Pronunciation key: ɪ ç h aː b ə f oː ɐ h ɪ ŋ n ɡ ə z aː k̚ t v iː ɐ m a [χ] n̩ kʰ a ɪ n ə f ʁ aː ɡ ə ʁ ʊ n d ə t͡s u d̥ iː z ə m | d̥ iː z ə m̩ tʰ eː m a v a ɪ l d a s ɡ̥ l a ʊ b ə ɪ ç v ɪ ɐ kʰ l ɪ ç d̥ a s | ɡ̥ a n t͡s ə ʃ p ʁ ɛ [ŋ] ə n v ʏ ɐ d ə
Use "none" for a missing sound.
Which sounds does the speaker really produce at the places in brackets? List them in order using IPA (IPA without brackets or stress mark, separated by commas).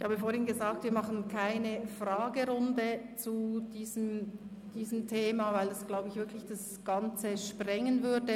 χ, ŋ